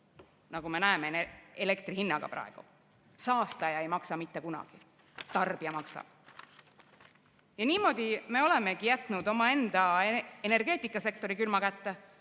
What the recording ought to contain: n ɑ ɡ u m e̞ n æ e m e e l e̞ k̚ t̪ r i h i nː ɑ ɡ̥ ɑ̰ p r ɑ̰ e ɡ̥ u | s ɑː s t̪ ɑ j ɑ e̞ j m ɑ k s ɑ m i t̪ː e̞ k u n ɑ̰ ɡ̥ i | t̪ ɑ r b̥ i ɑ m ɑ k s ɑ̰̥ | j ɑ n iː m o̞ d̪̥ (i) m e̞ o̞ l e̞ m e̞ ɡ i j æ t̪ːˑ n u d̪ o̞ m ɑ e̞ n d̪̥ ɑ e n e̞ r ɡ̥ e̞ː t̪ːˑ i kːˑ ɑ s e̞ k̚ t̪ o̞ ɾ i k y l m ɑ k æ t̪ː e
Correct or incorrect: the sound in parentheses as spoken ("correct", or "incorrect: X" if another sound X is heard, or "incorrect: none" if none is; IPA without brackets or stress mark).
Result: correct